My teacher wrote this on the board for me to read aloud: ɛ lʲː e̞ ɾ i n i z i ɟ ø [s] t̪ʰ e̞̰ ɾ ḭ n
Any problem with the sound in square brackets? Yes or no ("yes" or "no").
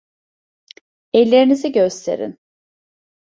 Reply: no